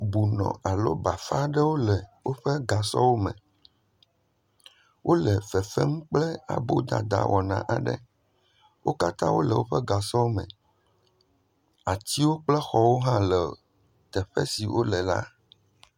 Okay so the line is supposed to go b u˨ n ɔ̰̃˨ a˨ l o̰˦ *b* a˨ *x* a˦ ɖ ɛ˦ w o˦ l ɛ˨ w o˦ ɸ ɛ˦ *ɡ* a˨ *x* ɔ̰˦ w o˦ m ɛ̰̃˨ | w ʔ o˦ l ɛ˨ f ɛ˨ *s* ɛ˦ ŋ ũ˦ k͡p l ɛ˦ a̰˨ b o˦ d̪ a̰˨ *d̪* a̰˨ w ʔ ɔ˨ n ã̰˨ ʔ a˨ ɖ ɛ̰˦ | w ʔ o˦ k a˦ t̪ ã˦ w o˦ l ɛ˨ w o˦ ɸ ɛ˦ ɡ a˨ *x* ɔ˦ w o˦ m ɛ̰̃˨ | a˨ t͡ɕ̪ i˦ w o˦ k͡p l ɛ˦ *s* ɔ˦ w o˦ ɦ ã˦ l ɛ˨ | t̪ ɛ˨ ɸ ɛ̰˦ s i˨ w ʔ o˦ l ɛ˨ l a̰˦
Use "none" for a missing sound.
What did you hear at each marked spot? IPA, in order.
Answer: b, f, ɡ, s, f, d̪, s, x

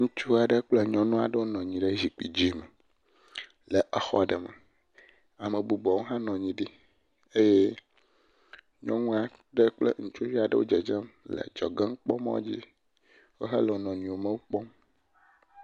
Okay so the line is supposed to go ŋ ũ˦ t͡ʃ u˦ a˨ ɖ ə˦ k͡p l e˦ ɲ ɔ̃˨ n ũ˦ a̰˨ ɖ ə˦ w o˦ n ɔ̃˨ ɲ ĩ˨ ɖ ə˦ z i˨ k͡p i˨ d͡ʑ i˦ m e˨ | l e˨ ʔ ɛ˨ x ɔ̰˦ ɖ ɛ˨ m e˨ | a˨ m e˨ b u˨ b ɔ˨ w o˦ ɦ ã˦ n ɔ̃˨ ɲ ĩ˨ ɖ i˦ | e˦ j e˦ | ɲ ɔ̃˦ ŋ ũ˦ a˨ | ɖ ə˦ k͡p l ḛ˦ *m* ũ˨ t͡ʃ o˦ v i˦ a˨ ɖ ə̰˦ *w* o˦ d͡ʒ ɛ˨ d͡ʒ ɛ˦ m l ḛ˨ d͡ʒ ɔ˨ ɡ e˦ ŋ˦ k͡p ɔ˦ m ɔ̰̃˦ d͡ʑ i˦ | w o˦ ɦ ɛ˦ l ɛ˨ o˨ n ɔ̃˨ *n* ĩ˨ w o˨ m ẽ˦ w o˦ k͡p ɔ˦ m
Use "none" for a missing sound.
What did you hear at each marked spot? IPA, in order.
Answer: ŋ, w, ɲ

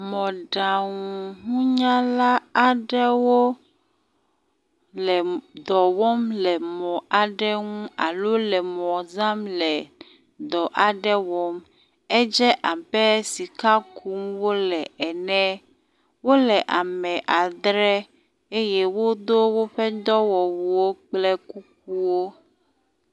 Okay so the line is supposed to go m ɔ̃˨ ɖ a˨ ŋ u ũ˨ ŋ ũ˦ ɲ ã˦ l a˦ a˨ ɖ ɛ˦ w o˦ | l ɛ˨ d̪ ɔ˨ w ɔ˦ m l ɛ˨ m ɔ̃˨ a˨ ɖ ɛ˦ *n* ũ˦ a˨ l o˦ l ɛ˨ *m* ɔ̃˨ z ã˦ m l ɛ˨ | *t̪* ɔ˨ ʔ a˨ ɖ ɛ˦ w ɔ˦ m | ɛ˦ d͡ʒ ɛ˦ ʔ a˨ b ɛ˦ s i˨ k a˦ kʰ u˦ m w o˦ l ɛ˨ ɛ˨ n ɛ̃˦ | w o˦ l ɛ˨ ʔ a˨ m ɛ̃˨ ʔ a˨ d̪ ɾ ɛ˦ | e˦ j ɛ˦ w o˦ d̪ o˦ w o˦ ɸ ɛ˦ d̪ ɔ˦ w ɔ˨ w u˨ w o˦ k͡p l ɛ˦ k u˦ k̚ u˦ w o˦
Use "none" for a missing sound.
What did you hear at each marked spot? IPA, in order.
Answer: ŋ, m, d̪

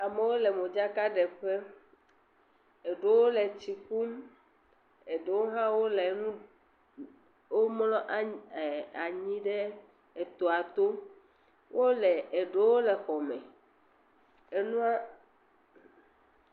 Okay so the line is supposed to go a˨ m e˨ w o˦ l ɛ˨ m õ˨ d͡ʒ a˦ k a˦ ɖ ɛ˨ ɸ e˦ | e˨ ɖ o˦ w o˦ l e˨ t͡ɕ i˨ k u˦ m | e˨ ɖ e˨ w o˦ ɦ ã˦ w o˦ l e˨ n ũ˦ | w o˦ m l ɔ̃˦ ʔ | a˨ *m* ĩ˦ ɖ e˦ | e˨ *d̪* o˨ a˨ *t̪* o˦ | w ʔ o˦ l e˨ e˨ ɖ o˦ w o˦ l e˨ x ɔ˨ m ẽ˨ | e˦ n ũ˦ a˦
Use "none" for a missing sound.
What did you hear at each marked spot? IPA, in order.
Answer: ɲ, t̪, t̪

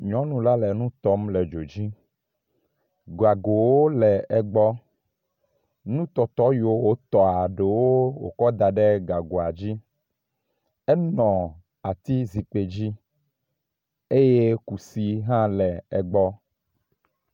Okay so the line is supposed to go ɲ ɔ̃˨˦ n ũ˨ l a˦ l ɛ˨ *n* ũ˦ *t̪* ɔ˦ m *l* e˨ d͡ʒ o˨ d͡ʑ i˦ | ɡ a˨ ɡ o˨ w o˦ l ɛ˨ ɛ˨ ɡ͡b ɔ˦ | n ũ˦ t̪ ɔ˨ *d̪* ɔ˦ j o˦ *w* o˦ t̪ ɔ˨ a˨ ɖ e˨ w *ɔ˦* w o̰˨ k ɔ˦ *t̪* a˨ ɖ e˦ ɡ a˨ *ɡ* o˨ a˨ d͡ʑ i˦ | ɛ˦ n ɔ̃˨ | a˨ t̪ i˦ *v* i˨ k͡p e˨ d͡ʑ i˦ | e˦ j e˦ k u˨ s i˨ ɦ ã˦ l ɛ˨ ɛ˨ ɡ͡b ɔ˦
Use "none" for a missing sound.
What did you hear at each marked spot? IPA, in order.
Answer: n, t̪, l, t̪, w, o˦, d̪, ɡ, z

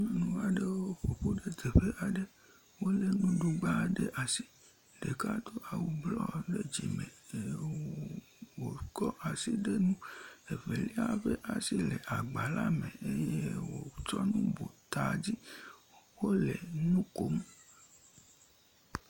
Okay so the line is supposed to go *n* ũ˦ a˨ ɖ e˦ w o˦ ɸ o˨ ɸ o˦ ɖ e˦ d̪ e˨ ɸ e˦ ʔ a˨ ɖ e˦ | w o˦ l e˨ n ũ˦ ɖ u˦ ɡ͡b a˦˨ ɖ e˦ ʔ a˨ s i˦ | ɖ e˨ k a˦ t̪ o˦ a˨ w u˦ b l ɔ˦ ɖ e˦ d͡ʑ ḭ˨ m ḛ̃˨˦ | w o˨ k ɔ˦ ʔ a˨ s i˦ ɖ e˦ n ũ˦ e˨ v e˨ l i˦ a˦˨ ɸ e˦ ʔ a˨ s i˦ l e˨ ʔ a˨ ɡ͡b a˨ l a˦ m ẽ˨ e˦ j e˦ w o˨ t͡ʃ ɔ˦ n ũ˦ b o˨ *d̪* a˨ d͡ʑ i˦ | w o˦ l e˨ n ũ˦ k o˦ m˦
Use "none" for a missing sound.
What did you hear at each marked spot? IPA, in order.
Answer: n, t̪

